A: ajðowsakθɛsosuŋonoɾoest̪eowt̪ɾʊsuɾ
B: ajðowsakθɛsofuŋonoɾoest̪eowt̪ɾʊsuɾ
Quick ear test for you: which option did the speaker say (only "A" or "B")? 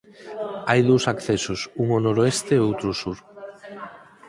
A